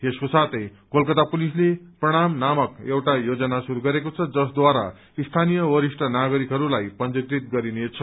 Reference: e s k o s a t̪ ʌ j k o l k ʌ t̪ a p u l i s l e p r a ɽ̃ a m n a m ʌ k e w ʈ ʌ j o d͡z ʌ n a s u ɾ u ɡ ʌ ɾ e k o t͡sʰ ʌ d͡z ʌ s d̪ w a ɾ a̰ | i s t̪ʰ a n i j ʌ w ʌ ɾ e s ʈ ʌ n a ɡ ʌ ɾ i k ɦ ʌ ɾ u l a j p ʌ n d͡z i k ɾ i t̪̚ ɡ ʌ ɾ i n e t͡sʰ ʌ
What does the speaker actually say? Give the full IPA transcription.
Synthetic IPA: e s k o s a t̪ ʌ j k o l k ʌ t̪ a p u l i s l e p r ʌ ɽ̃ a m n a m ʌ k e w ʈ a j o d͡z ʌ n a s u ɾ u ɡ ʌ ɾ e k o t͡sʰ ʌ d͡z ʌ s d̪ w a ɾ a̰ | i s t̪ʰ a n i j ʌ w ʌ ɾ i s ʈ ʌ n a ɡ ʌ ɾ i k ɦ ʌ ɾ u l a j p ʌ n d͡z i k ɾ i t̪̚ ɡ ʌ ɾ i n e t͡sʰ ʌ

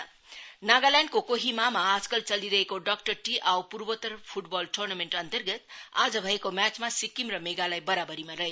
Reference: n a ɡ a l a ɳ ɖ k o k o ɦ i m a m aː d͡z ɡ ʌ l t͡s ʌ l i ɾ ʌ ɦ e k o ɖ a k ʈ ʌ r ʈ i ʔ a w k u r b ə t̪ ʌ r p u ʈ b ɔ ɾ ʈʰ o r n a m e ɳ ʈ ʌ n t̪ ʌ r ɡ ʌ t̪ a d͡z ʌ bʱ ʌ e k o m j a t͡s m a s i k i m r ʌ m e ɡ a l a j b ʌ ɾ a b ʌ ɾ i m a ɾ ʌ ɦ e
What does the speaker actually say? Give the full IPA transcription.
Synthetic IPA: n a ɡ a l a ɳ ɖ k o k o ɦ i m a m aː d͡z k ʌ l t͡s ʌ l i ɾ ʌ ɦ e k o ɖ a k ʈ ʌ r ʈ i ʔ a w p u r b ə t̪ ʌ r pʰ u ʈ b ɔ l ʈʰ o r n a m e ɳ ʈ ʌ n t̪ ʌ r ɡ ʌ t̪ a d͡z ʌ bʱ ʌ e k o m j a t͡s m a s i k i m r ʌ m e ɡ a l a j b ʌ ɾ a b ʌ ɾ i m a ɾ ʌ ɦ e

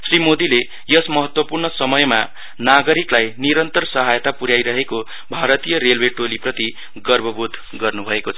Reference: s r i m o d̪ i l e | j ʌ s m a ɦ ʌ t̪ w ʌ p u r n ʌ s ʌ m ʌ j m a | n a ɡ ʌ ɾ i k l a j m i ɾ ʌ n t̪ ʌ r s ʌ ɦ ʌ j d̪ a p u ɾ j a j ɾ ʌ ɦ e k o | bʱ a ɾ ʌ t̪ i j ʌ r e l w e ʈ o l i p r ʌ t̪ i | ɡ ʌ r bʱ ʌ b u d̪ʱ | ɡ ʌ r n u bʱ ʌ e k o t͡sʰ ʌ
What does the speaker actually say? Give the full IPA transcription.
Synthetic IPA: s r i m o d̪ i l e | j ʌ s m ʌ ɦ ʌ t̪ w ʌ p u r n ʌ s ʌ m ʌ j m a | n a ɡ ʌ ɾ i k l a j n i ɾ ʌ n t̪ ʌ r s ʌ ɦ a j t̪ a p u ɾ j a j ɾ ʌ ɦ e k o | bʱ a ɾ ʌ t̪ i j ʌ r e l w e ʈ o l i p r ʌ t̪ i | ɡ ʌ r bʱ ʌ b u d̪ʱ | ɡ ʌ r n u bʱ ʌ e k o t͡sʰ ʌ

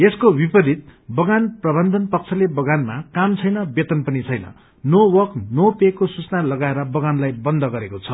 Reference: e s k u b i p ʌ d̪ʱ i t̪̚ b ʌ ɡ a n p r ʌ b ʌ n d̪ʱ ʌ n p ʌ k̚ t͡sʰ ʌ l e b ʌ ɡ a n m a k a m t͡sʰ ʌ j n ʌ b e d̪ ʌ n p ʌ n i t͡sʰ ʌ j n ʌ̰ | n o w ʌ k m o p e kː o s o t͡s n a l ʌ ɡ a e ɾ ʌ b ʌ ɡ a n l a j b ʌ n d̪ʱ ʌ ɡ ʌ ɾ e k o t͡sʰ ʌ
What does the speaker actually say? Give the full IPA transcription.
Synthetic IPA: e s k o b i p ʌ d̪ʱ i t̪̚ b ʌ ɡ a n p r ʌ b ʌ n d̪ʱ ʌ n p ʌ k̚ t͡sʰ ʌ l e b ʌ ɡ a n m a k a m t͡sʰ ʌ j n ʌ b e t̪ ʌ n p ʌ n i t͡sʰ ʌ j n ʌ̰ | n o w ʌ k n o p e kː o s u t͡s n a l ʌ ɡ a e ɾ ʌ b ʌ ɡ a n l a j b ʌ n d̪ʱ ʌ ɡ ʌ ɾ e k o t͡sʰ ʌ

